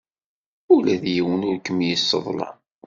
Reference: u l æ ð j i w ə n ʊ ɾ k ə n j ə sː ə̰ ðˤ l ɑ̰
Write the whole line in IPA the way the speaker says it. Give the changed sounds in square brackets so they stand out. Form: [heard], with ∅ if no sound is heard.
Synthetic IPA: u l æ ð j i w ə n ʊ ɾ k ə [m] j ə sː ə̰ ðˤ l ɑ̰